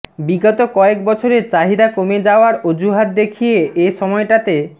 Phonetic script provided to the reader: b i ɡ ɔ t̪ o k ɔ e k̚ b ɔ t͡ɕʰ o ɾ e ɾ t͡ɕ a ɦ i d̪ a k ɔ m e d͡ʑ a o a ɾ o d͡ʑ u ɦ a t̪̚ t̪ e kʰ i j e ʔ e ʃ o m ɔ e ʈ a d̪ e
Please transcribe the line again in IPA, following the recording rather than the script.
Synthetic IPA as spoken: b i ɡ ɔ t̪ o k ɔ e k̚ b ɔ t͡ɕʰ o ɾ e ɾ t͡ɕ a ɦ i d̪ a k o m e d͡ʑ a o a ɾ o d͡ʑ u ɦ a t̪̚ d̪ e kʰ i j e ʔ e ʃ ɔ m ɔ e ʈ a t̪ e